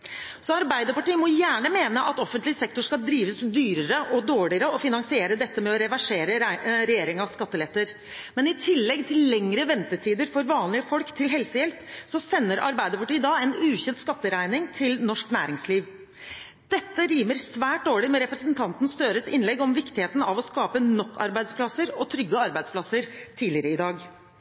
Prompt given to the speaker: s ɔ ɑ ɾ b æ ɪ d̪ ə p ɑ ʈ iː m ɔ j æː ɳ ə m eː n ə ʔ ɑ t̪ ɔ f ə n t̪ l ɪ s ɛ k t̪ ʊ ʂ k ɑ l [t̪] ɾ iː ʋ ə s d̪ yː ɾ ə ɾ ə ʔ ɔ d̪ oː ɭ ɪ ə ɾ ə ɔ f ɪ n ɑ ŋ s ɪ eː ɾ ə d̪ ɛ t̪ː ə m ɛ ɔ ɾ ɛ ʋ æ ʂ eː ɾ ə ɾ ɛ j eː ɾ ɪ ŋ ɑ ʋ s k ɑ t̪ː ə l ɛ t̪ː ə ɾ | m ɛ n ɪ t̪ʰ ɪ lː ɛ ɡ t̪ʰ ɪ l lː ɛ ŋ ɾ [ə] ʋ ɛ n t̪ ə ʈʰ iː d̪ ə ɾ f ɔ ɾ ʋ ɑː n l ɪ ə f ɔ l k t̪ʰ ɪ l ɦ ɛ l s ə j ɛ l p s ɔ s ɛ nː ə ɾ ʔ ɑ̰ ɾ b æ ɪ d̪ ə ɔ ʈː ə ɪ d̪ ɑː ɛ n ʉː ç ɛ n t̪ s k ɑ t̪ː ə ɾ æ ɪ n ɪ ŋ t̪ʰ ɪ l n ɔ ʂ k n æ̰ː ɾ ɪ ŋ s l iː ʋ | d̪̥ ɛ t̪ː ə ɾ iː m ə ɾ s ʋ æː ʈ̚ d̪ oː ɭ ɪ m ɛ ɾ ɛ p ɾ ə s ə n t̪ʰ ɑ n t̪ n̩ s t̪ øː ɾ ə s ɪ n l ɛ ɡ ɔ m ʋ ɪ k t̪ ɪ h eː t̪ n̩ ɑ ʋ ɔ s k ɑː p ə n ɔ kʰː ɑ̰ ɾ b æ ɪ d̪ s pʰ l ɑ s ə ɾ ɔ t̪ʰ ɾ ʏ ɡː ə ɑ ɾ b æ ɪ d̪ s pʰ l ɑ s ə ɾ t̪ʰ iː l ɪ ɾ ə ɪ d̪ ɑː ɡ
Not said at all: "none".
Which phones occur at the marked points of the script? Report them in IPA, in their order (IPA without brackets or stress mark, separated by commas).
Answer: d̪, ə